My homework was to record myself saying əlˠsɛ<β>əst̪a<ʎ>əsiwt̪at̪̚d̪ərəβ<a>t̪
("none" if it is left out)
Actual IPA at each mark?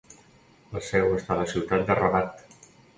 w, l, a

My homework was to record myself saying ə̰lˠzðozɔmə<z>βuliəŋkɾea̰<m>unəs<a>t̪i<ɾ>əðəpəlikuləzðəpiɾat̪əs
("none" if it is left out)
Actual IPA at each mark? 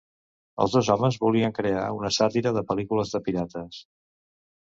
z, none, a, ɾ

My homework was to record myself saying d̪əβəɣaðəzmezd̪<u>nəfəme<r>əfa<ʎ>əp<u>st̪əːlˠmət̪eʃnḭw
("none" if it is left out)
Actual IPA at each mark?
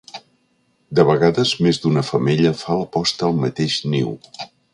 u, ʎ, l, ɔ

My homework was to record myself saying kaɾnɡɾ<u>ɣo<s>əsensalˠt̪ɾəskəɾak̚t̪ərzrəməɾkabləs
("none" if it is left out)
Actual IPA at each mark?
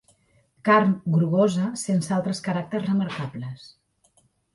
u, z

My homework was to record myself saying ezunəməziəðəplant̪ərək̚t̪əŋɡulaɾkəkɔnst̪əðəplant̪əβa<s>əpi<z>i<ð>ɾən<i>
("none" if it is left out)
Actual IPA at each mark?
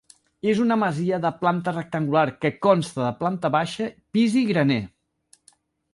ʃ, z, ɣ, e

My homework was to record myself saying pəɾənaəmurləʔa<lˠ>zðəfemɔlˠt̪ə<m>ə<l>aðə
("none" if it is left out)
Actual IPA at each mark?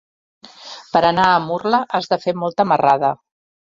none, m, r

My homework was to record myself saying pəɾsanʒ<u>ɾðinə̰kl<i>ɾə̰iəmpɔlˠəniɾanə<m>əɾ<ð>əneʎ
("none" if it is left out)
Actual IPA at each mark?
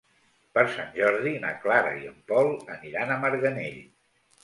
ɔ, a, m, ɣ

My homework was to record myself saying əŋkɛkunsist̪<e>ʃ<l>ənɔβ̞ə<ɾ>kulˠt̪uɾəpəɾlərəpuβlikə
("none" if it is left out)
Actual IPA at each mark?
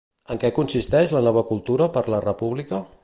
ɛ, l, none

